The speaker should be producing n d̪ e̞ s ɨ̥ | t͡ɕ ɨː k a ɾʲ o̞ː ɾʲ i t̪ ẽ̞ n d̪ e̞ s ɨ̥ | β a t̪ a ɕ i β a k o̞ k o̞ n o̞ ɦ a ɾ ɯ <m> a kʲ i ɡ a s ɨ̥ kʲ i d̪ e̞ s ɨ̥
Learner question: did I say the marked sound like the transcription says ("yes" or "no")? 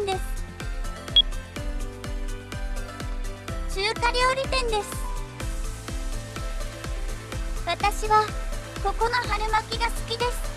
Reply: yes